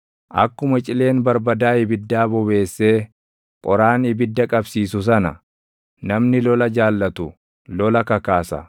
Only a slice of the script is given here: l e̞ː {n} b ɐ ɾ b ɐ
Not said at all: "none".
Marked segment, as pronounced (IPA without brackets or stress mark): n